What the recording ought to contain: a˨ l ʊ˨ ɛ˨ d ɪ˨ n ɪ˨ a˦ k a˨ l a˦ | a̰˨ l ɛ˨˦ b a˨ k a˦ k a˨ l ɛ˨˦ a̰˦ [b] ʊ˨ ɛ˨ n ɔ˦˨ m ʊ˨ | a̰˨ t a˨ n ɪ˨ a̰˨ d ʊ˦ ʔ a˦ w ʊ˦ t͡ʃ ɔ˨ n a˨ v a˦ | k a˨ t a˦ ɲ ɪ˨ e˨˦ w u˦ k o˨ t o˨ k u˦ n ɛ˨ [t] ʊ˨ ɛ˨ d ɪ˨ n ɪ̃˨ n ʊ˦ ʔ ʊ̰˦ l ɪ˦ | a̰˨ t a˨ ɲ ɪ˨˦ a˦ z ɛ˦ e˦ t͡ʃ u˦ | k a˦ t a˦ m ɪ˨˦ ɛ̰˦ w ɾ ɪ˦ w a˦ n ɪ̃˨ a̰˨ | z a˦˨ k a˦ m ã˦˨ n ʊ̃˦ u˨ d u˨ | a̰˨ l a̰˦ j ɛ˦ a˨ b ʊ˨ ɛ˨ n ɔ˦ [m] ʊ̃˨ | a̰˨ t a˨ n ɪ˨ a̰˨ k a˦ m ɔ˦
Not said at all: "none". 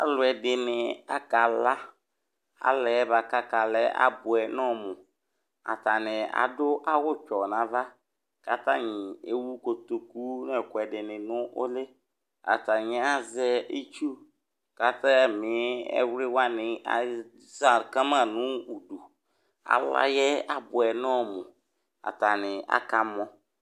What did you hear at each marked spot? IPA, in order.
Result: b, k, m

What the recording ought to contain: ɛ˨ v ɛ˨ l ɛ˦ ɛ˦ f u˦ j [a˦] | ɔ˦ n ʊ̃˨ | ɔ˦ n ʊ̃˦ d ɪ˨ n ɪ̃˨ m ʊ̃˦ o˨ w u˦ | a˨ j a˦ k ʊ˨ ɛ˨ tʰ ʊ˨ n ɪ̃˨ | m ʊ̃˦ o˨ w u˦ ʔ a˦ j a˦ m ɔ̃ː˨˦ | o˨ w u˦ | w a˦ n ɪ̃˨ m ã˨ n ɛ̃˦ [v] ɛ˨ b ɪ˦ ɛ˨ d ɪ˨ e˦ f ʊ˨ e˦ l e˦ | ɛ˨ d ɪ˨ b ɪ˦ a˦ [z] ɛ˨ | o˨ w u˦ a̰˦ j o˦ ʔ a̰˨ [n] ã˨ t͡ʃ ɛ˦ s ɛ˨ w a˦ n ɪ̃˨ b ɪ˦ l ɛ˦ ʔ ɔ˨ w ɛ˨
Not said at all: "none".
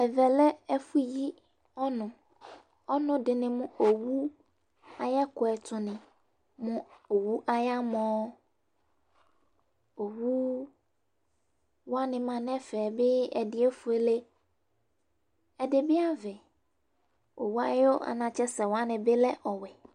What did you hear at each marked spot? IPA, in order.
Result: i˦, f, v, n

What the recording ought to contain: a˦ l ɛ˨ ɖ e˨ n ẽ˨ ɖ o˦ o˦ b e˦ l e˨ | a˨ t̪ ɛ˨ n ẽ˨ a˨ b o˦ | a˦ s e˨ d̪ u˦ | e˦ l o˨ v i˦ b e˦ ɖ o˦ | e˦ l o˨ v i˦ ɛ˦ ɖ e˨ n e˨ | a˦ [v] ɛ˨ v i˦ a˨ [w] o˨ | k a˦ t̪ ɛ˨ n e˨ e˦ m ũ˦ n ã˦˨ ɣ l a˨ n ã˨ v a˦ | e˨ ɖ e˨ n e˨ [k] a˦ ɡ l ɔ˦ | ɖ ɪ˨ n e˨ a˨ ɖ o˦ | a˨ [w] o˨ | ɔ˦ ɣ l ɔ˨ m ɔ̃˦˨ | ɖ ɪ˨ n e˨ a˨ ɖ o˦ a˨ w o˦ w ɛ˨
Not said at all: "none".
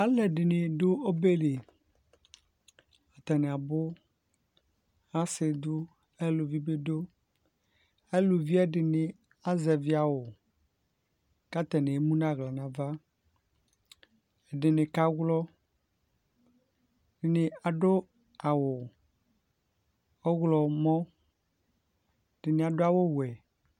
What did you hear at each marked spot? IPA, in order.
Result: z, w, k, w

